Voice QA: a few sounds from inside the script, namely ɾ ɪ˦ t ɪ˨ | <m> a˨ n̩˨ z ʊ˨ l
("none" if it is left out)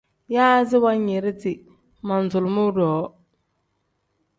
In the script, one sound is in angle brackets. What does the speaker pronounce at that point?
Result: m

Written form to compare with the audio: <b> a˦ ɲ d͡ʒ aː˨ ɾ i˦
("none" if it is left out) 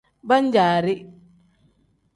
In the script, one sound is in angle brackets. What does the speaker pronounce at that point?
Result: b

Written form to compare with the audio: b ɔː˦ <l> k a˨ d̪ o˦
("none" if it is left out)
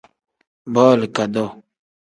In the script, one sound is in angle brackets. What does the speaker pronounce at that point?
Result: l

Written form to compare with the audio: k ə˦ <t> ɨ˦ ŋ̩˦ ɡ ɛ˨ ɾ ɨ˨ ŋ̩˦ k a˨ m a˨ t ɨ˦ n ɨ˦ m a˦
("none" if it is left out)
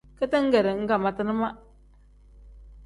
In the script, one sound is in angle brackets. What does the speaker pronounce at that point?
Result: t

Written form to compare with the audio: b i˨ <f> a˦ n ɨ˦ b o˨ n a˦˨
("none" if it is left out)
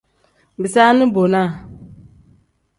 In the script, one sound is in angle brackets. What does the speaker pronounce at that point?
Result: s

